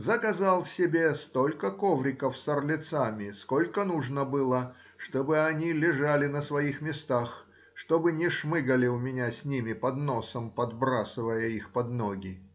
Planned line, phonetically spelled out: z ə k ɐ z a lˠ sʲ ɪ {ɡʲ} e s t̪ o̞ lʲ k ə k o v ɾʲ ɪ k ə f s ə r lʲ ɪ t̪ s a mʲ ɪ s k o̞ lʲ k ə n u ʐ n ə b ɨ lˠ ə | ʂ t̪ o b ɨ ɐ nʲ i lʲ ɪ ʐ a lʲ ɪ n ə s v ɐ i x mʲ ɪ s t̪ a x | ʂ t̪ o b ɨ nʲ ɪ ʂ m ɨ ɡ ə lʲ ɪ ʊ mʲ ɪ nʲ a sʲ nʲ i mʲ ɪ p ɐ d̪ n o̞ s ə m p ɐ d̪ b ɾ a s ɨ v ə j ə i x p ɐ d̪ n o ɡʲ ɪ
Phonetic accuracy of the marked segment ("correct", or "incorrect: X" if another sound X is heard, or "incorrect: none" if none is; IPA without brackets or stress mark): incorrect: bʲ